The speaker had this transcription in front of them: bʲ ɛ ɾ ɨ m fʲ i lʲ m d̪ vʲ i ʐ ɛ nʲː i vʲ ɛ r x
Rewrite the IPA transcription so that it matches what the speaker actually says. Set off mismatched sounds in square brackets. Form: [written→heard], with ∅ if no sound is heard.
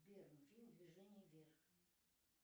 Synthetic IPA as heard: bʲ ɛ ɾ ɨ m fʲ i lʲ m d̪ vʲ i ʐ ɛ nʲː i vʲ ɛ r x